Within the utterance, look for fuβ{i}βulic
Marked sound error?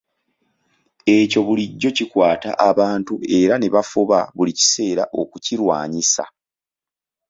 yes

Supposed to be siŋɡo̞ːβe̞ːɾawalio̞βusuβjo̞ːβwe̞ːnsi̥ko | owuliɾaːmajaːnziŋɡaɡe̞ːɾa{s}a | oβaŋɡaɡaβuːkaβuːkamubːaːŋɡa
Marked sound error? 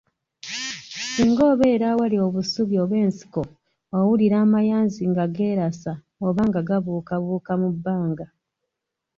no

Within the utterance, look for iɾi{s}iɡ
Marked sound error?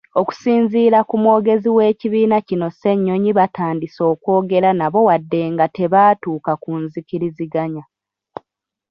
yes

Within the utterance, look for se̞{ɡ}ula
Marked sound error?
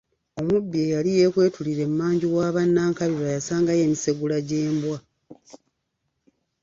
no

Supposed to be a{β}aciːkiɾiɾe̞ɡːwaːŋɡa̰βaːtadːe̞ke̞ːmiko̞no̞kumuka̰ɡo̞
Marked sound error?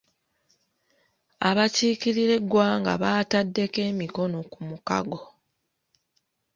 no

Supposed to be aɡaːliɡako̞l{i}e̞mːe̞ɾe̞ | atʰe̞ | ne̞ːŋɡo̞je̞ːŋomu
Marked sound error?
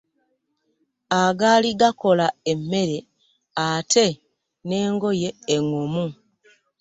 yes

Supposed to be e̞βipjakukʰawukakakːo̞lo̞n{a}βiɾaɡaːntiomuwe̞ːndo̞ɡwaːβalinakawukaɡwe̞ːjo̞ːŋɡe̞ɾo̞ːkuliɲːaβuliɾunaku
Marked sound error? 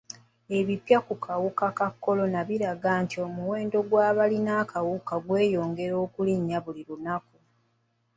no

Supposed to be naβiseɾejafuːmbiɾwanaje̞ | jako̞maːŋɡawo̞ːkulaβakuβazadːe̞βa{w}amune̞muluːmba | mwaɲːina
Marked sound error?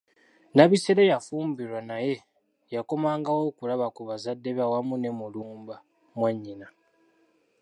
no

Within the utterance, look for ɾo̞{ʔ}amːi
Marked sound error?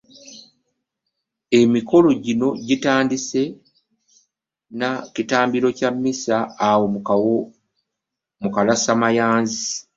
yes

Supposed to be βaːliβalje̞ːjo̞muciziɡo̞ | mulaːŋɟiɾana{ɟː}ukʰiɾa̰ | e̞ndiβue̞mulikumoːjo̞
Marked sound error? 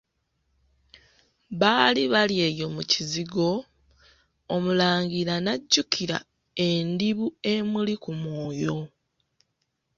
no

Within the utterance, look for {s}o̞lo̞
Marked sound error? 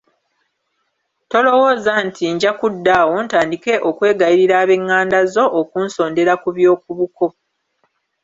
yes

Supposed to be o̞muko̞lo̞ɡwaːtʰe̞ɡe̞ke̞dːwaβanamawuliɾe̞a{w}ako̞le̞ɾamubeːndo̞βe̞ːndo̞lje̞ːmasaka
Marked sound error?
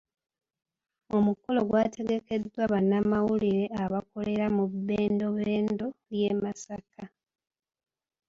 yes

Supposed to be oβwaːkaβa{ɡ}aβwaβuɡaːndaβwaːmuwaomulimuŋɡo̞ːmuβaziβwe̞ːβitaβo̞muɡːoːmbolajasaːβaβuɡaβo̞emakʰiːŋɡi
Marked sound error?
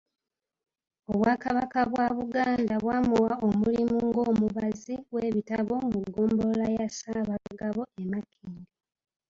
yes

